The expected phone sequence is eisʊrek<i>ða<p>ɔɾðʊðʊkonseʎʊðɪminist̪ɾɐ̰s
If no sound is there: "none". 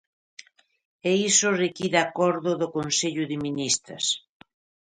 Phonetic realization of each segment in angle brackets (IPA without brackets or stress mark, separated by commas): i, k